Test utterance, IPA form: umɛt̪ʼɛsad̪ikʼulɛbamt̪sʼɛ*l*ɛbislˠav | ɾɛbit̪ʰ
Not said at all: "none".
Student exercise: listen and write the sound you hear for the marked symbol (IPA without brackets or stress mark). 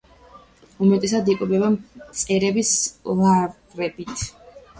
ɾ